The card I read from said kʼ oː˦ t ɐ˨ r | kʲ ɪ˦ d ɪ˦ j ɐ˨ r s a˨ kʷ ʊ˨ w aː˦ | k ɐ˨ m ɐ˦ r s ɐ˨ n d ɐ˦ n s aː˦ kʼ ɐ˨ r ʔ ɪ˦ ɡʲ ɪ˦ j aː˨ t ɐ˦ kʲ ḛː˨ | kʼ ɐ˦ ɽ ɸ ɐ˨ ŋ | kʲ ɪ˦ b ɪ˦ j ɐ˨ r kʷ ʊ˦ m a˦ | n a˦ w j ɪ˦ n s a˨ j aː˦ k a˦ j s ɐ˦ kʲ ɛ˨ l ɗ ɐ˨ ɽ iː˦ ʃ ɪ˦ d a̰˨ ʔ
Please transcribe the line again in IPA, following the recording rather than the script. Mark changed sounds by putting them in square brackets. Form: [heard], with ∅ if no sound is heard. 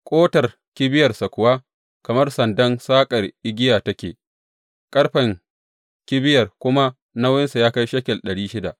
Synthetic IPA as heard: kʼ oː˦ t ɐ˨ r | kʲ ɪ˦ [b] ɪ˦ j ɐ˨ r s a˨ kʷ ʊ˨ w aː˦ | k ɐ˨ m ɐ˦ r s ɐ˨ n d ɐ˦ n s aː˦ kʼ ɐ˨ r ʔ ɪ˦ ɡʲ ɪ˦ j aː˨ t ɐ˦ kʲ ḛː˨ | kʼ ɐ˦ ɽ ɸ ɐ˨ ŋ | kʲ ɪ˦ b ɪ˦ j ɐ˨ r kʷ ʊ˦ m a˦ | n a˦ w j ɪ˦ n s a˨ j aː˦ k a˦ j [ʃ] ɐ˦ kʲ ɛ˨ l ɗ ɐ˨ ɽ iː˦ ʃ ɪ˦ d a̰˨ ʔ